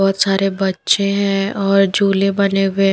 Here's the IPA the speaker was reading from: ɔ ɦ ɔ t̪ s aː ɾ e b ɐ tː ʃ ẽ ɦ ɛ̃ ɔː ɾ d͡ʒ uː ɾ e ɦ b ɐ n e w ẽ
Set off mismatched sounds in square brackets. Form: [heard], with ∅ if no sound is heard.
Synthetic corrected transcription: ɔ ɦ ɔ t̪ s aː ɾ e b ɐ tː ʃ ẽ ɦ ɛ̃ ɔː ɾ d͡ʒ uː [l] e [∅] b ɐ n e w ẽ